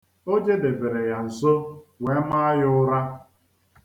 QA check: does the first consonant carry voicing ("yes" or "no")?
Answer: yes